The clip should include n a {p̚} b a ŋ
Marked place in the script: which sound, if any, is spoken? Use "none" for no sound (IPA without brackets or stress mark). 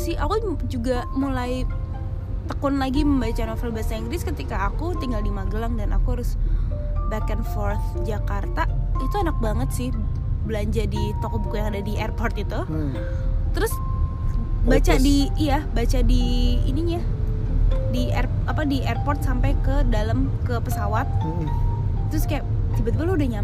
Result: k̚